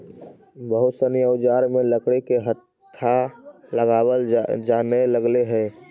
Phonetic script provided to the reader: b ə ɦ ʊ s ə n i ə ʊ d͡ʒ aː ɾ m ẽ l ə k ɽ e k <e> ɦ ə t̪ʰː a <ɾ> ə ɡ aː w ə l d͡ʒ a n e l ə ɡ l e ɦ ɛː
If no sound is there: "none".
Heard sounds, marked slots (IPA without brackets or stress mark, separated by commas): e, l